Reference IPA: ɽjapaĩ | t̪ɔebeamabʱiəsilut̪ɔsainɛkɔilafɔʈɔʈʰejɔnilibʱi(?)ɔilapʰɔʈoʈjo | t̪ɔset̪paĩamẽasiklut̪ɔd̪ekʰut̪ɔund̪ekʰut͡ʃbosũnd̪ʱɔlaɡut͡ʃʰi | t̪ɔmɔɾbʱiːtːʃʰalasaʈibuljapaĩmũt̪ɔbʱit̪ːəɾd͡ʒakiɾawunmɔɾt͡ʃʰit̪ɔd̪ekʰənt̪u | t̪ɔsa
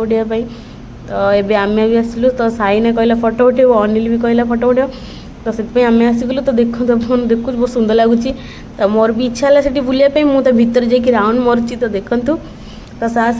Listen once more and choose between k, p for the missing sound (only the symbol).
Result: k